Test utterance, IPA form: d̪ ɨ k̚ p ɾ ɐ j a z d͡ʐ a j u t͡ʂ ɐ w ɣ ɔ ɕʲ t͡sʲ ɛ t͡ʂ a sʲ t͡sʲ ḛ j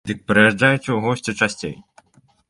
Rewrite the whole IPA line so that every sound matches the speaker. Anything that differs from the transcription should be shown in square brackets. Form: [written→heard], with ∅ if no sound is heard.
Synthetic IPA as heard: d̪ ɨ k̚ p ɾ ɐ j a [z→ʐ] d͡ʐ a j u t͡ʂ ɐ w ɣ ɔ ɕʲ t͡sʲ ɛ t͡ʂ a sʲ t͡sʲ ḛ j